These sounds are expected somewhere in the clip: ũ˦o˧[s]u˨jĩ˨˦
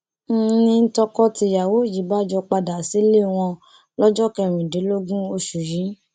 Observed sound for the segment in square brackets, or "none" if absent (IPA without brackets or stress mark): ʃ